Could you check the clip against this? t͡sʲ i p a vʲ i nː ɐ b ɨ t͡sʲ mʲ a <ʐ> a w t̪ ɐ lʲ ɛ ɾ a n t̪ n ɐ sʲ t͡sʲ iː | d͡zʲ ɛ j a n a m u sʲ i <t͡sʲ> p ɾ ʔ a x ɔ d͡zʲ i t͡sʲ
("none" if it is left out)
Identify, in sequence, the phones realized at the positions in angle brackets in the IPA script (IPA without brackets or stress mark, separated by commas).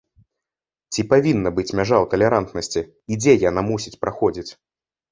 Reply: ʐ, t͡sʲ